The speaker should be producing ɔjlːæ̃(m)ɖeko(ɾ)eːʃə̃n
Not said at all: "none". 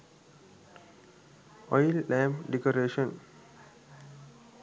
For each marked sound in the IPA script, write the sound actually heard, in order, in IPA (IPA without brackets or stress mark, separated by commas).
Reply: m, ɾ